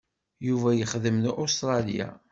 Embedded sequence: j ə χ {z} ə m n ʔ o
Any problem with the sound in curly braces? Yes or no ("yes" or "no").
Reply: yes